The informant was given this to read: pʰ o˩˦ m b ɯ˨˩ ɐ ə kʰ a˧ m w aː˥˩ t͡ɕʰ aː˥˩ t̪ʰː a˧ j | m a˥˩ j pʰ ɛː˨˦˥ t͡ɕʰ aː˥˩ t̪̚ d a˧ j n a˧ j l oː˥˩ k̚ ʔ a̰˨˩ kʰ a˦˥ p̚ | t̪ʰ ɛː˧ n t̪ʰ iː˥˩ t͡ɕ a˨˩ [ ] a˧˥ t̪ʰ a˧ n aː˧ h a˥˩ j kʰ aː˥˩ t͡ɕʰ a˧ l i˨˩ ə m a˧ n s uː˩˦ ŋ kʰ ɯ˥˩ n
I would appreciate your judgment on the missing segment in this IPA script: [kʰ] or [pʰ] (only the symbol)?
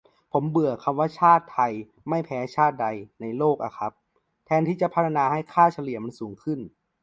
pʰ